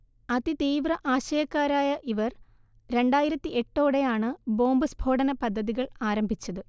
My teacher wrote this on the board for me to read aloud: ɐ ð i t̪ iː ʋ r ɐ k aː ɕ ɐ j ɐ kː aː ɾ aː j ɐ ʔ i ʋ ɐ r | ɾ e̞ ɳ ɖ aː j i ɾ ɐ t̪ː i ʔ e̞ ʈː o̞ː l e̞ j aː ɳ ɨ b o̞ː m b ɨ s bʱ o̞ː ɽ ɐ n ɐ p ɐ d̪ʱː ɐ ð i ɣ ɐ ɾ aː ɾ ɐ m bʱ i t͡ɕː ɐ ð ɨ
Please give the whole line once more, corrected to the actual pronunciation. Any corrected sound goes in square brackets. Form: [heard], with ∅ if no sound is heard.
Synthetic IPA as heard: ɐ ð i t̪ iː ʋ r ɐ [ʔ] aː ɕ ɐ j ɐ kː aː ɾ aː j ɐ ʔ i ʋ ɐ r | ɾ e̞ ɳ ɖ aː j i ɾ ɐ t̪ː i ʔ e̞ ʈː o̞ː [ɽ] e̞ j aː ɳ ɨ b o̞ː m b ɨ s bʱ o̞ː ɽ ɐ n ɐ p ɐ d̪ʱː ɐ ð i ɣ ɐ [ɭ] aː ɾ ɐ m bʱ i t͡ɕː ɐ ð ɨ

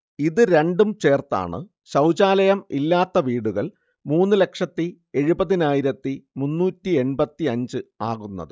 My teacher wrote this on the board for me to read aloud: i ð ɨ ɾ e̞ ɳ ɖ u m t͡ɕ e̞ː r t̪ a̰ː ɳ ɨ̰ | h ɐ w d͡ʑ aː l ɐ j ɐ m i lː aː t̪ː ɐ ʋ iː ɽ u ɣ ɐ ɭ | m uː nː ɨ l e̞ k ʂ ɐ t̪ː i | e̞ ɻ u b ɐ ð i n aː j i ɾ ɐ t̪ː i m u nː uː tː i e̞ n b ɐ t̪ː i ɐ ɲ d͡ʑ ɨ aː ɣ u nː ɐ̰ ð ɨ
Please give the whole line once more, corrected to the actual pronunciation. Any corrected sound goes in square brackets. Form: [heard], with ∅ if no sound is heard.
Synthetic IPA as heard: i ð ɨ ɾ e̞ ɳ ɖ u m t͡ɕ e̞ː r t̪ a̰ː ɳ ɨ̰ | [ɕ] ɐ w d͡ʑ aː l ɐ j ɐ m i lː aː t̪ː ɐ ʋ iː ɽ u ɣ ɐ ɭ | m uː nː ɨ l e̞ k ʂ ɐ t̪ː i | e̞ ɻ u b ɐ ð i n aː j i ɾ ɐ t̪ː i m u nː uː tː i e̞ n b ɐ t̪ː i ɐ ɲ d͡ʑ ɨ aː ɣ u nː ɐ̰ ð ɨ

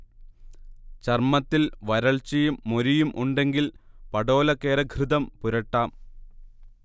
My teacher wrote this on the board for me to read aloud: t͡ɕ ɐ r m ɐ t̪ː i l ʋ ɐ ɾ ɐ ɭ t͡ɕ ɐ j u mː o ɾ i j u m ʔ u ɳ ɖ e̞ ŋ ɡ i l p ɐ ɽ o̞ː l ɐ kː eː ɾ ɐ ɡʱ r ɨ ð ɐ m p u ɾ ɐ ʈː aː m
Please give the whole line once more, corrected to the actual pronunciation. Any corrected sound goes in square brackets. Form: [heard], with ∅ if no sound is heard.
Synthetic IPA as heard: t͡ɕ ɐ r m ɐ t̪ː i l ʋ ɐ ɾ ɐ ɭ t͡ɕ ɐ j u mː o ɾ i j u m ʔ u ɳ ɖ e̞ ŋ ɡ i l p ɐ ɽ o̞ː l ɐ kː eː ɾ ɐ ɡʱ r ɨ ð ɐ m p u ɾ ɐ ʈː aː m

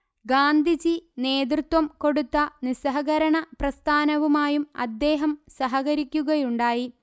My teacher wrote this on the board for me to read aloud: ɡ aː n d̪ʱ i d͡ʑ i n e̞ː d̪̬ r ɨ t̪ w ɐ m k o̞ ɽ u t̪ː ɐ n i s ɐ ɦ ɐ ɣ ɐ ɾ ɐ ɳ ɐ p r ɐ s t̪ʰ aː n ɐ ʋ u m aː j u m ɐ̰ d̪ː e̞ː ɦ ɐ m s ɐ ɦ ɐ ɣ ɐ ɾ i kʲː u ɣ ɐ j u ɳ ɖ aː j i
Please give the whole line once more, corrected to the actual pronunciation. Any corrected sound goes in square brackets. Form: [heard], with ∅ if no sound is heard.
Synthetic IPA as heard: ɡ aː n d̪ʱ i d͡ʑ i n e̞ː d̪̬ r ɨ t̪ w ɐ m k o̞ ɽ u t̪ː ɐ n i s ɐ ɦ ɐ ɣ ɐ ɾ ɐ ɳ ɐ p r ɐ s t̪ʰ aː n ɐ ʋ u m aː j u m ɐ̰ d̪ː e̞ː ɦ ɐ m s ɐ ɦ ɐ ɣ ɐ ɾ i kʲː u ɣ ɐ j u ɳ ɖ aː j i

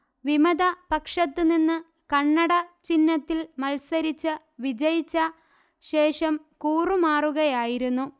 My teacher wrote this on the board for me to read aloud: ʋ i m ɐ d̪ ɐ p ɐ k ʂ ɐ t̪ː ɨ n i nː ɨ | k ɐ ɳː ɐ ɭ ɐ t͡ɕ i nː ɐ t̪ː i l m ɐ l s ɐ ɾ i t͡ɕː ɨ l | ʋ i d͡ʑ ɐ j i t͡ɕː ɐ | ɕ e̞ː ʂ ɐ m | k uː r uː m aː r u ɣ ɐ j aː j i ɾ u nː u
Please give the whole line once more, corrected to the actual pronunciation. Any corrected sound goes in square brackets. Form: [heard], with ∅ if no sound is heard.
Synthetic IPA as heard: ʋ i m ɐ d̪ ɐ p ɐ k ʂ ɐ t̪ː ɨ n i nː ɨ | k ɐ ɳː ɐ [ɽ] ɐ t͡ɕ i nː ɐ t̪ː i l m ɐ l s ɐ ɾ i t͡ɕː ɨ [∅] | ʋ i d͡ʑ ɐ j i t͡ɕː ɐ | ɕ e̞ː ʂ ɐ m | k uː r [u] m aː r u ɣ ɐ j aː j i ɾ u nː u

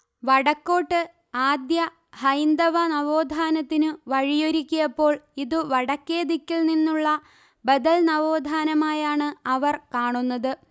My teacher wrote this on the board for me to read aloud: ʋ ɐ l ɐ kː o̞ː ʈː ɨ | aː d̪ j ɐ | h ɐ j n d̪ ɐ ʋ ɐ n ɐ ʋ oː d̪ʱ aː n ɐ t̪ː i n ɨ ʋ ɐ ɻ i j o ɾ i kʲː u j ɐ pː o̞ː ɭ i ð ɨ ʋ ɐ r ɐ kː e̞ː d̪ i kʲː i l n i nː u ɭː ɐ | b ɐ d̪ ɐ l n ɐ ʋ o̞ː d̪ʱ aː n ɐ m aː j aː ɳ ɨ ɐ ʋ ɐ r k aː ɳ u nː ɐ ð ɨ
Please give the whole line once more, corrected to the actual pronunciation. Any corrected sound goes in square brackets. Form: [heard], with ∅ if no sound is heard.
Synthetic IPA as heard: ʋ ɐ [ɽ] ɐ kː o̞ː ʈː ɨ | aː d̪ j ɐ | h ɐ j n d̪ ɐ ʋ ɐ n ɐ ʋ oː d̪ʱ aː n ɐ t̪ː i n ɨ ʋ ɐ ɻ i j o ɾ i kʲː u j ɐ pː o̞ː ɭ i ð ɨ ʋ ɐ [ɽ] ɐ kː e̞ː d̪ i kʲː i l n i nː u ɭː ɐ | b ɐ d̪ ɐ l n ɐ ʋ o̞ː d̪ʱ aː n ɐ m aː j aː ɳ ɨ ɐ ʋ ɐ r k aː ɳ u nː ɐ ð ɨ

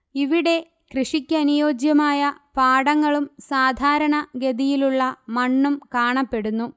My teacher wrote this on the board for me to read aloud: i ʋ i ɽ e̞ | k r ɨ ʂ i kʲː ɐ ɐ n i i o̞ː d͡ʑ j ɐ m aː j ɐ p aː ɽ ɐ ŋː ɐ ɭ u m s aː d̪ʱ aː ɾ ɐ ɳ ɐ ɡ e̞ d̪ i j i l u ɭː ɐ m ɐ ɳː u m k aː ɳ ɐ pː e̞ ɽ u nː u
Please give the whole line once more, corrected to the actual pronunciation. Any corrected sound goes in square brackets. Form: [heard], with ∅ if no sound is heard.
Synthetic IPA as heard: i ʋ i ɽ e̞ | k r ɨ ʂ i kʲː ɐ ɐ n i [j] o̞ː d͡ʑ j ɐ m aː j ɐ p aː ɽ ɐ ŋː ɐ ɭ u m s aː d̪ʱ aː ɾ ɐ ɳ ɐ ɡ e̞ d̪ i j i l u ɭː ɐ m ɐ ɳː u m k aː ɳ ɐ pː e̞ ɽ u nː u

